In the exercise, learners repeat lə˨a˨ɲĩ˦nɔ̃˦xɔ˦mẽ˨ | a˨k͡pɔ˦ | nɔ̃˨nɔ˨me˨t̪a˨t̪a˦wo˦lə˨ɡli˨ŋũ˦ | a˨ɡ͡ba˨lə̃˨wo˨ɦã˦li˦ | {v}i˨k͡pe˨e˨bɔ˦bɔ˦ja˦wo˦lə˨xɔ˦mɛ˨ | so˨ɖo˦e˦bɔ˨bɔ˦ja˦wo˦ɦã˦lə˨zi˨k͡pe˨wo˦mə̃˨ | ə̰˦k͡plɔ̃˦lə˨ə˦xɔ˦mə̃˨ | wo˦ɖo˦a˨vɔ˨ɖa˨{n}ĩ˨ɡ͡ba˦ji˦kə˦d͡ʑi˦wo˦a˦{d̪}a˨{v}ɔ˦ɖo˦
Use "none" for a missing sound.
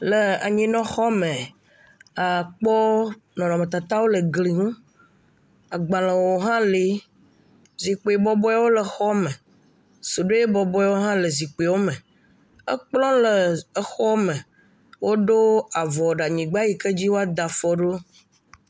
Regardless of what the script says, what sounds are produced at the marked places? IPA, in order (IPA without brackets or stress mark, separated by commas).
z, ɲ, d̪, f